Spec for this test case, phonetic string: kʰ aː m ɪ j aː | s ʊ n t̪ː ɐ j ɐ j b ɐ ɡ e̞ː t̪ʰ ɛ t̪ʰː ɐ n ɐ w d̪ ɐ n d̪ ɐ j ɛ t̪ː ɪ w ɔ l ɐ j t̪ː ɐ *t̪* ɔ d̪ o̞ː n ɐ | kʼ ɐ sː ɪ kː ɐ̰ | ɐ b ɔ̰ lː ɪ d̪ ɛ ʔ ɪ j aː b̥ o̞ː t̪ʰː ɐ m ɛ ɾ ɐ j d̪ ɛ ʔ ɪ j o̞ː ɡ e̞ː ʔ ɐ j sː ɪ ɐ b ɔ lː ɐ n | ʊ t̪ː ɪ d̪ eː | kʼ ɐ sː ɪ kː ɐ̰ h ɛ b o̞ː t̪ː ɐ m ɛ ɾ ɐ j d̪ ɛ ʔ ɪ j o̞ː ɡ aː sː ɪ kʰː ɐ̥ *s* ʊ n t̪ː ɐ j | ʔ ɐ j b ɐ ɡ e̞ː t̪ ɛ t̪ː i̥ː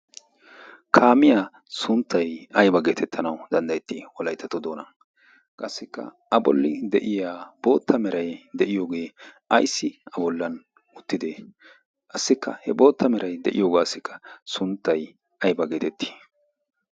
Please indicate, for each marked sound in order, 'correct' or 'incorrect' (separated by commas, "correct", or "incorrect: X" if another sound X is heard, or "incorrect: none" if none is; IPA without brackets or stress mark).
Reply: correct, correct